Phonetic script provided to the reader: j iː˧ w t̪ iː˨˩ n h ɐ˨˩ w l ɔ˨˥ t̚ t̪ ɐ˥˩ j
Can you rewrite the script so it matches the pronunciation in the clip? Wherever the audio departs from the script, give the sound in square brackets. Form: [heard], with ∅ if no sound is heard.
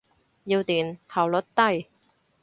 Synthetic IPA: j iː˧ w t̪ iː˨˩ n h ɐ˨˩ w l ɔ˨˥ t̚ t̪ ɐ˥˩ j